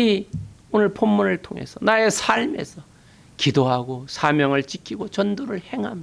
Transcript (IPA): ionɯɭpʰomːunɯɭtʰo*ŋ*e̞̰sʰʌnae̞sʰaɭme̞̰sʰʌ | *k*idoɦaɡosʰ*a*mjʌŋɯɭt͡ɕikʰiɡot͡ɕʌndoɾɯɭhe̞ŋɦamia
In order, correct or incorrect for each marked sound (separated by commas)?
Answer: correct, correct, correct